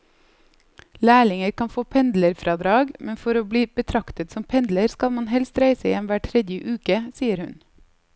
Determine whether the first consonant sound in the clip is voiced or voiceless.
voiced